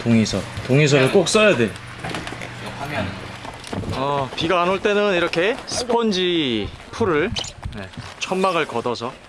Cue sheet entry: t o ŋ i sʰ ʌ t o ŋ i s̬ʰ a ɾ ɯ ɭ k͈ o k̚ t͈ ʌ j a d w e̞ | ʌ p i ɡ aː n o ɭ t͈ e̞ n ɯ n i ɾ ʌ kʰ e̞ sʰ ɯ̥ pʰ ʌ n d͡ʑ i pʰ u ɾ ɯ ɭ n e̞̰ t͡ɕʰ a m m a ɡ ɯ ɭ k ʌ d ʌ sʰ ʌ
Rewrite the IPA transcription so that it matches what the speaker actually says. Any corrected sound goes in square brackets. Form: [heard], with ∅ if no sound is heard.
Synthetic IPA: t o ŋ i sʰ ʌ t o ŋ i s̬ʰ [ʌ] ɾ ɯ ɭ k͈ o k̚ [s͈] ʌ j a d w e̞ | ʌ p i ɡ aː n o ɭ t͈ e̞ n ɯ n i ɾ ʌ kʰ e̞ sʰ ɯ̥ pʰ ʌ n d͡ʑ i pʰ u ɾ ɯ ɭ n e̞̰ t͡ɕʰ [ʌ] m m a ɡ ɯ ɭ k ʌ d ʌ sʰ ʌ

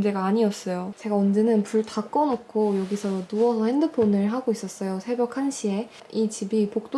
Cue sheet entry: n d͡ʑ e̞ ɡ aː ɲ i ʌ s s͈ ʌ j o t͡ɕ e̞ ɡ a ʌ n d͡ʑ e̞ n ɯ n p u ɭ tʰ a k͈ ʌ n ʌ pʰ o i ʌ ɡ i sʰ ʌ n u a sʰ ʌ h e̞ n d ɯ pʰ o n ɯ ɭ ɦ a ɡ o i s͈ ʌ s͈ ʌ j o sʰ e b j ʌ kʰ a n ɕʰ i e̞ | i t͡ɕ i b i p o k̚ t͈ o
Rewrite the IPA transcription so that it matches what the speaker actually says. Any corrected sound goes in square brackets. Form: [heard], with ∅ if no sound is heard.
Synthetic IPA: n d͡ʑ e̞ ɡ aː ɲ i ʌ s s͈ ʌ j o t͡ɕ e̞ ɡ a ʌ n d͡ʑ e̞ n ɯ n p u ɭ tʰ a k͈ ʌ n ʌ [kʰ] o [j] ʌ ɡ i sʰ ʌ n u [ʌ] sʰ ʌ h e̞ n d ɯ pʰ o n ɯ ɭ ɦ a ɡ o i s͈ ʌ s͈ ʌ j o sʰ e b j ʌ kʰ a n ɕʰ i e̞ | i t͡ɕ i b i p o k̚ t͈ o

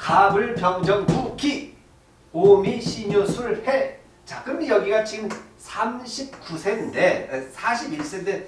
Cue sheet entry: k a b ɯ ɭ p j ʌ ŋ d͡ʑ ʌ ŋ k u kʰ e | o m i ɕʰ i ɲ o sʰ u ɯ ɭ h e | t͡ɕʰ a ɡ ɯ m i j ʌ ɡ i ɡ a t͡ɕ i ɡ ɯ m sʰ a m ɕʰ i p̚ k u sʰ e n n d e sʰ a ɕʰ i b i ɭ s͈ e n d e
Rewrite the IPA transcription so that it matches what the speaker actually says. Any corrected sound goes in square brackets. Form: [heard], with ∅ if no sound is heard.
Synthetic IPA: k a b ɯ ɭ p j ʌ ŋ d͡ʑ ʌ ŋ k u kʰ [i] | o m i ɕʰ i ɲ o sʰ u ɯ ɭ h e | [t͡ɕ] a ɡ ɯ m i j ʌ ɡ i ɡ a t͡ɕ i ɡ ɯ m sʰ a m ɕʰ i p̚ k u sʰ e n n d e sʰ a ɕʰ i b i ɭ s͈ e n d e

